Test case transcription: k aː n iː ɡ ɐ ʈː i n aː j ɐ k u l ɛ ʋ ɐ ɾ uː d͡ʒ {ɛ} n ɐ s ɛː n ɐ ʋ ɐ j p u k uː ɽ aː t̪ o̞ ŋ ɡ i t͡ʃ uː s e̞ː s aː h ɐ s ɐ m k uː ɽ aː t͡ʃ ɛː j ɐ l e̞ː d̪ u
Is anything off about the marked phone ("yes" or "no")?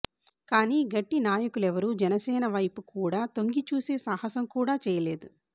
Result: no